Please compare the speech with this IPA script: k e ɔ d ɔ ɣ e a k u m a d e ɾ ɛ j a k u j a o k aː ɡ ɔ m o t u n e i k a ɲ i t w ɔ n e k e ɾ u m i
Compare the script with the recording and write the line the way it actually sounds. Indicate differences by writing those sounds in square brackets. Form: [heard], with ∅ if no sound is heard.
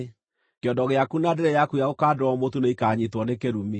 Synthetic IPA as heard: k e ɔ d ɔ ɣ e a k u [n] a d e ɾ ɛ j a k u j a o k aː [d] ɔ m o t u n e i k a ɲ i t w ɔ n e k e ɾ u m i